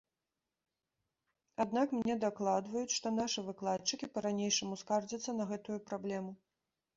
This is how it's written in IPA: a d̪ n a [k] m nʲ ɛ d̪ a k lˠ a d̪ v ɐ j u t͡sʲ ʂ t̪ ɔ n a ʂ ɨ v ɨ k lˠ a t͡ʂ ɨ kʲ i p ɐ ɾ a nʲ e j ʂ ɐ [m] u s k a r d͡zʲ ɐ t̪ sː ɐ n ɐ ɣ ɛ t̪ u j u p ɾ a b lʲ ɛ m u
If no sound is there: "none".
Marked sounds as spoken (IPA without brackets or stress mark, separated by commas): k, m